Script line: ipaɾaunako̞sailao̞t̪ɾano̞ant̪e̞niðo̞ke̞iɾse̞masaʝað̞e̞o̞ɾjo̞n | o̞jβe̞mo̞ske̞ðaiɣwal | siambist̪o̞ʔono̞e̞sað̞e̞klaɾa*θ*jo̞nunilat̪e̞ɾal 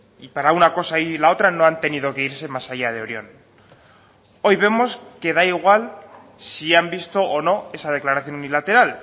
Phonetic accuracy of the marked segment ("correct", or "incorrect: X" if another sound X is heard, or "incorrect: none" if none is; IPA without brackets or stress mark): correct